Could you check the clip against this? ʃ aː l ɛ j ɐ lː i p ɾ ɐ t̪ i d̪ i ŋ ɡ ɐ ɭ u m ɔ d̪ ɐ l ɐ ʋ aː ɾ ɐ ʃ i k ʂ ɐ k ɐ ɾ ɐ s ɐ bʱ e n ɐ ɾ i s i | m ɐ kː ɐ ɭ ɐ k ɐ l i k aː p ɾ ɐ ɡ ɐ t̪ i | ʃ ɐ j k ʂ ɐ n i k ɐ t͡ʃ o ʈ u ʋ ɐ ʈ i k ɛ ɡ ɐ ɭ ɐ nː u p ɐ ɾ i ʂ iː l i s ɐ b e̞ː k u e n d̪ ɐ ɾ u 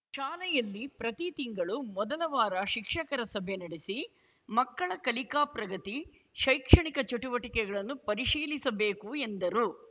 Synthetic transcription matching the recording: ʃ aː l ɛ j ɐ lː i p ɾ ɐ t̪ i t̪ i ŋ ɡ ɐ ɭ u m ɔ d̪ ɐ l ɐ ʋ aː ɾ ɐ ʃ i k ʂ ɐ k ɐ ɾ ɐ s ɐ bʱ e n ɐ ɽ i s i | m ɐ kː ɐ ɭ ɐ k ɐ l i k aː p ɾ ɐ ɡ ɐ t̪ i | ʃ ɐ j k ʂ ɐ ɳ i k ɐ t͡ʃ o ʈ u ʋ ɐ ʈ i k ɛ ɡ ɐ ɭ ɐ nː u p ɐ ɾ i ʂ iː l i s ɐ b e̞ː k u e n d̪ ɐ ɾ u